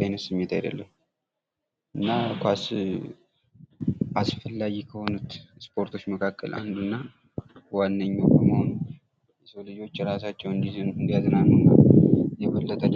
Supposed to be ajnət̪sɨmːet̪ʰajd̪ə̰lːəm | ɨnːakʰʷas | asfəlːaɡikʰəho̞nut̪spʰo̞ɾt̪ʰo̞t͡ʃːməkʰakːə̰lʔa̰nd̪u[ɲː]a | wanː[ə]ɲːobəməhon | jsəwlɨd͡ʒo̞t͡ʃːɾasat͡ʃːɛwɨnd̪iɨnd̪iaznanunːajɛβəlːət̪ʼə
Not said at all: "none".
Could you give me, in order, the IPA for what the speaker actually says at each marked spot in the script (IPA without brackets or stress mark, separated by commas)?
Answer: nː, ə